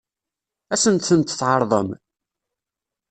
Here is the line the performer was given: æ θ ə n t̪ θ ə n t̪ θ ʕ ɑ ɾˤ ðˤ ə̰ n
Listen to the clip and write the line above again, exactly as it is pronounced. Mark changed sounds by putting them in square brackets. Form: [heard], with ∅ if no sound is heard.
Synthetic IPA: æ [s] ə n t̪ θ ə n t̪ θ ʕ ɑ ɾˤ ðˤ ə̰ [m]

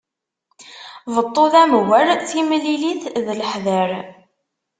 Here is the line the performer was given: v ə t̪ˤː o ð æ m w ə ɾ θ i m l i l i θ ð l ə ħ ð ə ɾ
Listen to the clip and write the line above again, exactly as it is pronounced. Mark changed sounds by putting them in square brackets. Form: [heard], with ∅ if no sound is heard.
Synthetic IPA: v ə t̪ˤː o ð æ m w ə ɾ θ i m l i l i θ ð l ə ħ ð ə ɾ

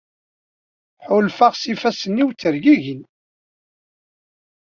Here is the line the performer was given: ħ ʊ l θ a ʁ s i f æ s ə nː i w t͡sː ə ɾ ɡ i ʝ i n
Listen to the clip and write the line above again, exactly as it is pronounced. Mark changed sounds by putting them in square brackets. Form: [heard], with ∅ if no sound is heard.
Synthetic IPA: ħ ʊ l [f] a ʁ s i f æ s ə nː i w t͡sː ə ɾ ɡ i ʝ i n

